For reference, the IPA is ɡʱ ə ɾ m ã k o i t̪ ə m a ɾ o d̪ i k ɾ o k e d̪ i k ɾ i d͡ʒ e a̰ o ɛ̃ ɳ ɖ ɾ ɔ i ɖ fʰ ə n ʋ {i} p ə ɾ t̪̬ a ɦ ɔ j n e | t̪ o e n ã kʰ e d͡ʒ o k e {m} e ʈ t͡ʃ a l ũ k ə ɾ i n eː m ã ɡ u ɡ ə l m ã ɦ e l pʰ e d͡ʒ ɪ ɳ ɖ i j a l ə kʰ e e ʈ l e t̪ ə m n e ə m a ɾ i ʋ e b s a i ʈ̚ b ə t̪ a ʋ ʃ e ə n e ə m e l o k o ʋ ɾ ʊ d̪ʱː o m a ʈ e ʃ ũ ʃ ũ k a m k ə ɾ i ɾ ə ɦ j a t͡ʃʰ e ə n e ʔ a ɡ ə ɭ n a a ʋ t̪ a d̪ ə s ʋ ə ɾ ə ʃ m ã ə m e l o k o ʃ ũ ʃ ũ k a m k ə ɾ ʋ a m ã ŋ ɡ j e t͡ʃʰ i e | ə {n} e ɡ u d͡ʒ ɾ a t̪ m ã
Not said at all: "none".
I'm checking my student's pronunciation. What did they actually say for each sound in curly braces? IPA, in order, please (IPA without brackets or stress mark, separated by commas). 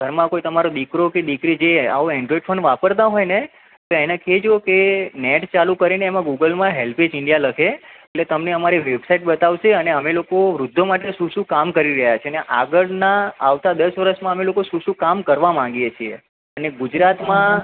a, n, n